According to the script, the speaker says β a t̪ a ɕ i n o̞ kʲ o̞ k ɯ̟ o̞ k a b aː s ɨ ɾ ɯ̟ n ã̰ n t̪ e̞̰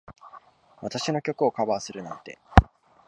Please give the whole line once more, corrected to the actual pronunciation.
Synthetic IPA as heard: β a t̪ a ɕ i n o̞ kʲ o̞ k ɯ̟ o̞ k a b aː s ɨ ɾ ɯ̟ n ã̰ n t̪ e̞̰